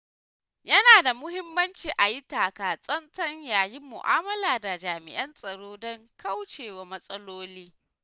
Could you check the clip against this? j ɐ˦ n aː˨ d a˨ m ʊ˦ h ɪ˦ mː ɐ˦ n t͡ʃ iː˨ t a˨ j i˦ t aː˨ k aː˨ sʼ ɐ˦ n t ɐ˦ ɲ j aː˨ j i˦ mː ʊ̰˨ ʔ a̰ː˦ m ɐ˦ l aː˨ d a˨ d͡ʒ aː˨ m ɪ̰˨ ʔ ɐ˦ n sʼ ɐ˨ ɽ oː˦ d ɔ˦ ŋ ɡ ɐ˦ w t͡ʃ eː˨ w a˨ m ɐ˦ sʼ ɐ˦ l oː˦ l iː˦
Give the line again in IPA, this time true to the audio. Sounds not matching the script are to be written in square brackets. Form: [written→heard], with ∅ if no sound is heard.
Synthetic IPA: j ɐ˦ n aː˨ d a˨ m ʊ˦ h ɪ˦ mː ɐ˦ n t͡ʃ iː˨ [t→ʔ] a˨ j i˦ t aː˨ k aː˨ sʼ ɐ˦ n t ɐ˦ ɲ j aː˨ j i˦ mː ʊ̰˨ ʔ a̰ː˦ m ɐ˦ l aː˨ d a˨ d͡ʒ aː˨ m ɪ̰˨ ʔ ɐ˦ n sʼ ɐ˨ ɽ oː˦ d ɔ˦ ŋ [ɡ→k] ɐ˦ w t͡ʃ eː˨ w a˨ m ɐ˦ sʼ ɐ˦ l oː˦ l iː˦